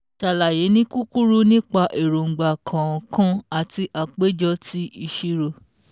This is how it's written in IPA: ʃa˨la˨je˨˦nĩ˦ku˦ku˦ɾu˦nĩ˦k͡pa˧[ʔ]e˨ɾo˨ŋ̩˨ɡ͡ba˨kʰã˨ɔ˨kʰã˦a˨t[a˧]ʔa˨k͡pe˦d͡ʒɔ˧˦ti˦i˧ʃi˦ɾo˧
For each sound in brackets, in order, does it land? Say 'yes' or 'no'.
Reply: yes, no

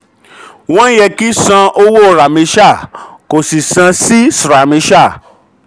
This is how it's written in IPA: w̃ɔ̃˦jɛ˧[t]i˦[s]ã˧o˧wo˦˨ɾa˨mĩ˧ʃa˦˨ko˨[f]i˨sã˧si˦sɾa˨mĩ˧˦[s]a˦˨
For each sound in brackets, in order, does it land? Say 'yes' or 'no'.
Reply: no, yes, no, no

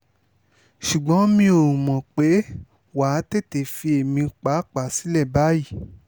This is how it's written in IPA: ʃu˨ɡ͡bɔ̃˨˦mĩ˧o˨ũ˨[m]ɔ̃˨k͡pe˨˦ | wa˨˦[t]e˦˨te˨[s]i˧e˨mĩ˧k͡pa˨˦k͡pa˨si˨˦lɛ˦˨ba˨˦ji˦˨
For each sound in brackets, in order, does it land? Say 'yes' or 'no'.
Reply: yes, yes, no

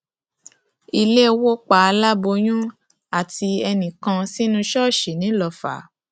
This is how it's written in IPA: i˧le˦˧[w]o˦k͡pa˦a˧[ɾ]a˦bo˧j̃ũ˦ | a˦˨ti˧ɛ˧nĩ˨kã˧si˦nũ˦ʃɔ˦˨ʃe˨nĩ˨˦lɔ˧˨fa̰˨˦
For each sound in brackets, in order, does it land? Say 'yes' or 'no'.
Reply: yes, no

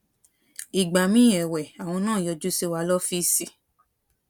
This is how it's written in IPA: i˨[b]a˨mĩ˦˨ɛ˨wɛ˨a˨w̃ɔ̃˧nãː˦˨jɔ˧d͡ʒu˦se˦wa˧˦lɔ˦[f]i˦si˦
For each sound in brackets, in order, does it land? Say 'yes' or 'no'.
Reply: no, yes

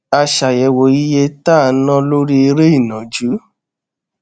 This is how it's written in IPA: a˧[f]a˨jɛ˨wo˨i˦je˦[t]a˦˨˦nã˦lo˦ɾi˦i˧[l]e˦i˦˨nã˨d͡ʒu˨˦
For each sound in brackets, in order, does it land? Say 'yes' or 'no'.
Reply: no, yes, no

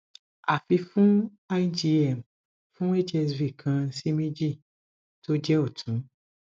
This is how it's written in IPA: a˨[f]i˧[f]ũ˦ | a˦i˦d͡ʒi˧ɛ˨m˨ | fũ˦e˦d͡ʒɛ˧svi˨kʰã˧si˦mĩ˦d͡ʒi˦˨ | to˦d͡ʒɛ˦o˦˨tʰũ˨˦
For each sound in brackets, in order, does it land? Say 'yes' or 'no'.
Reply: yes, yes

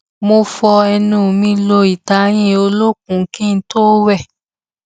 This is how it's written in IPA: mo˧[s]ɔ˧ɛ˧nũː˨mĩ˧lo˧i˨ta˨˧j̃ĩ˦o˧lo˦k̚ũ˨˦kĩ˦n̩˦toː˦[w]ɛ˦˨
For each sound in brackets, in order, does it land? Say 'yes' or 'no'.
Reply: no, yes

